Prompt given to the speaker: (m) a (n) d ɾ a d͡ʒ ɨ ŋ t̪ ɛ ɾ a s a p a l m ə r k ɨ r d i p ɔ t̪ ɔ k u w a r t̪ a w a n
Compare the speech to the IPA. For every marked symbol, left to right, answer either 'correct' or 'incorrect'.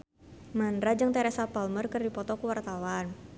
correct, correct

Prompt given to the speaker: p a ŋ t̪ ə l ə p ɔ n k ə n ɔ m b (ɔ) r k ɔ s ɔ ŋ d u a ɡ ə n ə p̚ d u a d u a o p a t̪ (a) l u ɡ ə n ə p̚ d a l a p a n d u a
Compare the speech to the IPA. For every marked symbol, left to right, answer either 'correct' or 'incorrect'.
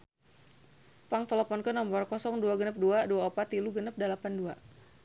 correct, incorrect

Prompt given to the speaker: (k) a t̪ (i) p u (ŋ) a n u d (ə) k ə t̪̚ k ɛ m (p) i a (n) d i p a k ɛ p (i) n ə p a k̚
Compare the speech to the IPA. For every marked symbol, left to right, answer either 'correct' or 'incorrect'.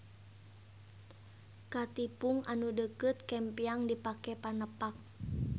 correct, correct, correct, correct, correct, incorrect, incorrect

